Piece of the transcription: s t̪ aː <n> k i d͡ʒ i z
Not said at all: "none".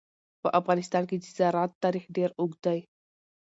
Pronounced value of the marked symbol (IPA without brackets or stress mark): n